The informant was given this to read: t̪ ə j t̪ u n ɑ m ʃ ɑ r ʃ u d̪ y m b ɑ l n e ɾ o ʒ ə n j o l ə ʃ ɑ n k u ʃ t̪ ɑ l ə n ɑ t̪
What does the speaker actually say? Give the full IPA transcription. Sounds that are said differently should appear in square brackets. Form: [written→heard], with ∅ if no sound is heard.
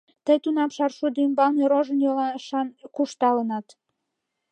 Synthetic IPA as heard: t̪ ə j t̪ u n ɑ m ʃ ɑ r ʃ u d̪ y m b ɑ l n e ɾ o ʒ ə n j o l [ə→ɑ] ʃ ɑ n k u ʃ t̪ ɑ l ə n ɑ t̪